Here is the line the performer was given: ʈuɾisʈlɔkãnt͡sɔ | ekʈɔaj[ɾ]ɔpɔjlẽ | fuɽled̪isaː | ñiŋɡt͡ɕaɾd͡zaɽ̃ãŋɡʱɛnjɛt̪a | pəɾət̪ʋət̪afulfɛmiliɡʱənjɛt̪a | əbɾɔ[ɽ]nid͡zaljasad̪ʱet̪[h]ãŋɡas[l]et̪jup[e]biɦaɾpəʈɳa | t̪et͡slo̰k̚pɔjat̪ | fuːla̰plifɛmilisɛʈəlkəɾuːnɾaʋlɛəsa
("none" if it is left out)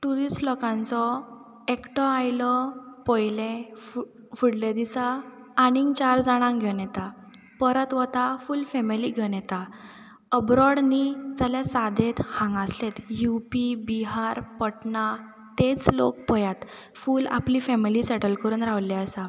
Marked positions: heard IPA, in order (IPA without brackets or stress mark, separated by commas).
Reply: l, ɽ, h, l, i